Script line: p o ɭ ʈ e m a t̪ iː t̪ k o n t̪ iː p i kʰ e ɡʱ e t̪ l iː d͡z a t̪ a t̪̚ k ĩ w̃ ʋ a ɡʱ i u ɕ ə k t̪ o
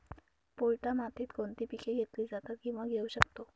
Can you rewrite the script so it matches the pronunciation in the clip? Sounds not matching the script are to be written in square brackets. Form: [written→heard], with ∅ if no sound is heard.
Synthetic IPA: p o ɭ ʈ [e→a] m a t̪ iː t̪ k o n t̪ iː p i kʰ e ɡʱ e t̪ l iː d͡z a t̪ a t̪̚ k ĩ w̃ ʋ a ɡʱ [i→e] u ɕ ə k t̪ o